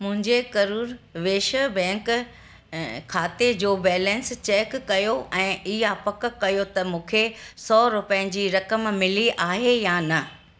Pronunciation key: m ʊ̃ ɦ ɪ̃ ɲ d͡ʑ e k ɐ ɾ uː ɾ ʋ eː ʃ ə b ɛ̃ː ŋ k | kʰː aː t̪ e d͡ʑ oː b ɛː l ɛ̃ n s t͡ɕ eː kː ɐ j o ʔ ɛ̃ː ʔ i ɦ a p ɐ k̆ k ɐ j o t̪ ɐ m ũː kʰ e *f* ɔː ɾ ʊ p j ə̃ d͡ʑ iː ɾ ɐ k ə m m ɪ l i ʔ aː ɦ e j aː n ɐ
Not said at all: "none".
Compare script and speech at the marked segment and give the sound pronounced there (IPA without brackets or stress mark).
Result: s